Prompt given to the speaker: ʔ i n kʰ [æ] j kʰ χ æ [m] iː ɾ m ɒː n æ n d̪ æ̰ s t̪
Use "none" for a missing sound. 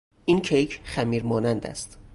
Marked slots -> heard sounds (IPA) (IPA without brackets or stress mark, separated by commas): e, m